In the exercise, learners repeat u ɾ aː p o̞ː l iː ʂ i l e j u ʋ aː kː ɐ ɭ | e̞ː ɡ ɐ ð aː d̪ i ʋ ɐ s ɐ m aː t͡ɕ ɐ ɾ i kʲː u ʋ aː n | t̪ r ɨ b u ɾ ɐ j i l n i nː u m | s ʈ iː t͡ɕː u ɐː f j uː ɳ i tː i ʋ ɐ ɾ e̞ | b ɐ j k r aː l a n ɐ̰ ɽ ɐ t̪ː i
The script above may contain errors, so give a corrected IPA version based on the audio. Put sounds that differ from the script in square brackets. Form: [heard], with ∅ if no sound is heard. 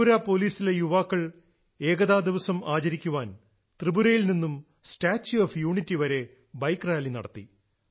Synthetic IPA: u ɾ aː p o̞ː l iː [s] i l e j u ʋ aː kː ɐ ɭ | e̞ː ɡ ɐ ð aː d̪ i ʋ ɐ s ɐ m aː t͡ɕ ɐ ɾ i kʲː u ʋ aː n | t̪ r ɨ b u ɾ ɐ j i l n i nː u m | s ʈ [aː] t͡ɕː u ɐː f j uː ɳ i tː i ʋ ɐ ɾ e̞ | b ɐ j k r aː l [i] n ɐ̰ ɽ ɐ t̪ː i